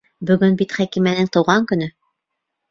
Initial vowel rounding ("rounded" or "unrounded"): rounded